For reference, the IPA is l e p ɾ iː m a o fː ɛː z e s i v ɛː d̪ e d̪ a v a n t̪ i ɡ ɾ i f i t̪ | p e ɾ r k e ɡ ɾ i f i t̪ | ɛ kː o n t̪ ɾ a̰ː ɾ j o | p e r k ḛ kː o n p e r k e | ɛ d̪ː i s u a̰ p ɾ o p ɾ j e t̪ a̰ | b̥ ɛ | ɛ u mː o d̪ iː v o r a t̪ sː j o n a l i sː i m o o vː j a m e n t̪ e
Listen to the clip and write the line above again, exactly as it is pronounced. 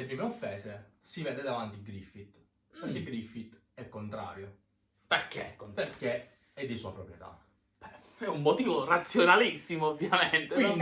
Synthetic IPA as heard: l e p ɾ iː m e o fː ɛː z e s i v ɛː d̪ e d̪ a v a n t̪ i ɡ ɾ i f i t̪ | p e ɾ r k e ɡ ɾ i f i t̪ | ɛ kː o n t̪ ɾ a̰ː ɾ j o | p e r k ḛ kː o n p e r k e | ɛ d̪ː i s u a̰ p ɾ o p ɾ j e t̪ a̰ | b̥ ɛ | ɛ u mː o t̪ iː v o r a t̪ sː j o n a l i sː i m o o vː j a m e n t̪ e